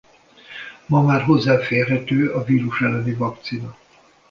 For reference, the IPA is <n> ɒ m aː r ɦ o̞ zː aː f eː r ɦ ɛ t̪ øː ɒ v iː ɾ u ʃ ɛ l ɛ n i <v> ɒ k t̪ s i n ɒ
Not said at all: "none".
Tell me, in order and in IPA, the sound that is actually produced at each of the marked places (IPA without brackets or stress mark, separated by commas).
m, v